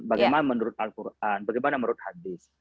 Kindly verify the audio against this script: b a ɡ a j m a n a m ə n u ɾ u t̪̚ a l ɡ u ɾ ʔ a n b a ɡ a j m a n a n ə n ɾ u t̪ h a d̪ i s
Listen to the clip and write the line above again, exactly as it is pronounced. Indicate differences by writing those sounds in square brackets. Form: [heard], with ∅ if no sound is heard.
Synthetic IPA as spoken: b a ɡ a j m a n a m ə n u ɾ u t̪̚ a l [k] u ɾ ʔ a n b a ɡ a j m a n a [m] ə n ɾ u t̪ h a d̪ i s